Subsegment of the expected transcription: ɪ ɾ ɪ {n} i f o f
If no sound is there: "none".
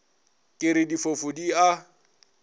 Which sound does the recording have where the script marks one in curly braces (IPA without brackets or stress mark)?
d